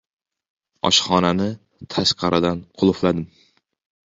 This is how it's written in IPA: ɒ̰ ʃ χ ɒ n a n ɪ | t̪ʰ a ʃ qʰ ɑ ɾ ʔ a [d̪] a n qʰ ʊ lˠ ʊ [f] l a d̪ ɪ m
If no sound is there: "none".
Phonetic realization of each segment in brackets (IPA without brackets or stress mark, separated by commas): d̪, f